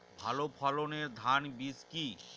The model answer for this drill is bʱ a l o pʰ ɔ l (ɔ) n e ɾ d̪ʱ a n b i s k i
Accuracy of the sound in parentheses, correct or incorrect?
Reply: incorrect